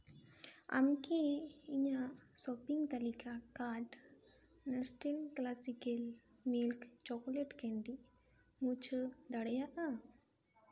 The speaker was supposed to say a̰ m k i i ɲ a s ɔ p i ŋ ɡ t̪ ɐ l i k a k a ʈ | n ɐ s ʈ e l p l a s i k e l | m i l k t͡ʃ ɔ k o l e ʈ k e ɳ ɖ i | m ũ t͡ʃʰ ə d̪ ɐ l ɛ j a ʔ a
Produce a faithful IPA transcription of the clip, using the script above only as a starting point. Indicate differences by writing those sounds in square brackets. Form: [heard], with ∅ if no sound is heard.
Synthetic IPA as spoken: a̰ m k i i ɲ a s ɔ p i ŋ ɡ t̪ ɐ l i k a k a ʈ | n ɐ s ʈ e l [k] l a s i k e l | m i l k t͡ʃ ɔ k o l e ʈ k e ɳ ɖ i | m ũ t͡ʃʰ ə d̪ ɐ [ɽ] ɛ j a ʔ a

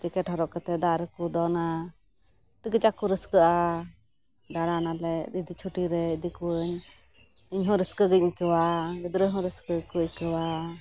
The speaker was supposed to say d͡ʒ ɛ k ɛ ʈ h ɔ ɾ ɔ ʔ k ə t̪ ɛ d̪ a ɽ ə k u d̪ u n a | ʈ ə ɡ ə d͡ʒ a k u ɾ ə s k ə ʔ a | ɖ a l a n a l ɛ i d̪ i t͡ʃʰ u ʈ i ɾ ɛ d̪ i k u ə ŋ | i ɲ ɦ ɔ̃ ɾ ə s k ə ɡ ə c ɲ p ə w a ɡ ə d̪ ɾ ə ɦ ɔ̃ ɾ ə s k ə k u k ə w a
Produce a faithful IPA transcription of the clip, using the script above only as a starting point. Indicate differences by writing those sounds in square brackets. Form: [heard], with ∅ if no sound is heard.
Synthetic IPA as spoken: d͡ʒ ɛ k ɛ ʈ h ɔ ɾ ɔ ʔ k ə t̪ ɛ d̪ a [ɾ] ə k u d̪ [ɔ] n a | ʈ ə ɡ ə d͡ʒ a k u ɾ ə s k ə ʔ a | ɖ a [ɽ] a n a l ɛ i d̪ i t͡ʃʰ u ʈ i ɾ ɛ d̪ i k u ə [ɲ] | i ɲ ɦ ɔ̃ ɾ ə s k ə ɡ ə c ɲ [k] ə w a ɡ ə d̪ ɾ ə ɦ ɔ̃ ɾ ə s k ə k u k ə w a

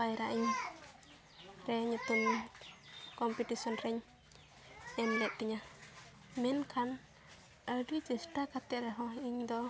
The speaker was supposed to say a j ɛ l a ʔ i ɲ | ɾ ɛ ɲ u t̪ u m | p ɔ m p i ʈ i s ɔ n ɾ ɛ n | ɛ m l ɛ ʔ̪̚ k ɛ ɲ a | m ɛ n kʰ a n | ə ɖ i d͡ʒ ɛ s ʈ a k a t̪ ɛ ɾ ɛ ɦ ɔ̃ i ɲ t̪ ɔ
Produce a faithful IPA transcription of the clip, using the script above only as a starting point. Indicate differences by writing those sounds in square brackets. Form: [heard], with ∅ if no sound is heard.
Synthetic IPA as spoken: a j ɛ [ɾ] a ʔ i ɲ | ɾ ɛ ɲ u t̪ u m | [k] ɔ m p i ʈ i s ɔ n ɾ ɛ [ɲ] | ɛ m l ɛ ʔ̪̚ k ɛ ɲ a | m ɛ n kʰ a n | ə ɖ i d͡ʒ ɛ s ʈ a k a t̪ ɛ ɾ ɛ ɦ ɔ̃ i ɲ [d̪] ɔ

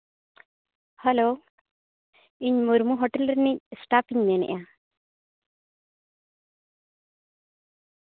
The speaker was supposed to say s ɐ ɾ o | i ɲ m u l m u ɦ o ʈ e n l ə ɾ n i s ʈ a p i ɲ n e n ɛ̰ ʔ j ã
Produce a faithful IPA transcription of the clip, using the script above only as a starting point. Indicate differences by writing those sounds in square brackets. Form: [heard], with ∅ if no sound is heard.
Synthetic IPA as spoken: [h] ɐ [l] o | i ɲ m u [ɾ] m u ɦ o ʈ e [∅] l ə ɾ n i s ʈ a p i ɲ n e n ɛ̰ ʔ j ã

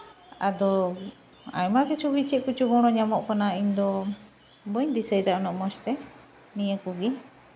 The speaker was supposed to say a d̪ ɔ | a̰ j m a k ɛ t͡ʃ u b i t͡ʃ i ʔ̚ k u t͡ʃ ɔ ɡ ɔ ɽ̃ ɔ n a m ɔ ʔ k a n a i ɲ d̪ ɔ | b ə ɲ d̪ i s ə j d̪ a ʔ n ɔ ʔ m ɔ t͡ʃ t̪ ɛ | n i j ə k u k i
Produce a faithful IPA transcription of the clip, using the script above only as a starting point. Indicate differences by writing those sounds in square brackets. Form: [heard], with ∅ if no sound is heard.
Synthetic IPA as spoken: a d̪ ɔ | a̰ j m a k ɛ t͡ʃ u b i t͡ʃ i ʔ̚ k u t͡ʃ [u] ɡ ɔ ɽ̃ ɔ [ɲ] a m ɔ ʔ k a n a i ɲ d̪ ɔ | b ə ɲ d̪ i s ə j d̪ a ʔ n ɔ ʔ m ɔ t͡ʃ t̪ ɛ | n i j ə k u [ɡ] i

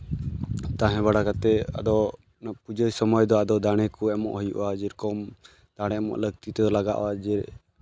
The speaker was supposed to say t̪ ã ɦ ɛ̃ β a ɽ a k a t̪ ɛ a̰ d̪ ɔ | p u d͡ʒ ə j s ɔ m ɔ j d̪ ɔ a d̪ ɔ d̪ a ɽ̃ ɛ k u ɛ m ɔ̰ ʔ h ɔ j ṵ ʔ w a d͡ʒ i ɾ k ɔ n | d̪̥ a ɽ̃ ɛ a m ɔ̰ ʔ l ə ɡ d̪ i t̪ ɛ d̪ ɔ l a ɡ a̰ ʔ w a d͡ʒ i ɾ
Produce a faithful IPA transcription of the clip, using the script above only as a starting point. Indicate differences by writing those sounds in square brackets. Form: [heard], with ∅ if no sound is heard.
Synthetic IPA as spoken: t̪ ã ɦ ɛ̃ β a ɽ a k a t̪ ɛ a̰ d̪ ɔ | p u d͡ʒ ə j s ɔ m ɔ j d̪ ɔ a d̪ ɔ d̪ a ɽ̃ ɛ k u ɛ m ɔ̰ ʔ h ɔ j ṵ ʔ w a d͡ʒ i ɾ k ɔ [m] | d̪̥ a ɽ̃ ɛ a m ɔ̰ ʔ l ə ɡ [t̪] i t̪ ɛ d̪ ɔ l a ɡ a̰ ʔ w a d͡ʒ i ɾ

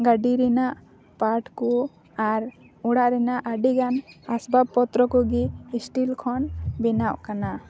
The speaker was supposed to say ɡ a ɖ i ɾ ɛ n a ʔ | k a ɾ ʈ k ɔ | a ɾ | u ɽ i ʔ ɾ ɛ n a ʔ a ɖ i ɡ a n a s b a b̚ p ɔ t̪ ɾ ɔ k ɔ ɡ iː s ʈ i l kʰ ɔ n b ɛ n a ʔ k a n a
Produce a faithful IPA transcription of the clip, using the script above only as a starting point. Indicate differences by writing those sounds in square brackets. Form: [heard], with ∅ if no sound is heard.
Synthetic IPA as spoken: ɡ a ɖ i ɾ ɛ n a ʔ | [p] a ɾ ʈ k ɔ | a ɾ | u ɽ [a] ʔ ɾ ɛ n a ʔ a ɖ i ɡ a n a s b a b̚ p ɔ t̪ ɾ ɔ k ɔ ɡ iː s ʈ i l kʰ ɔ n b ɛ n a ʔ k a n a

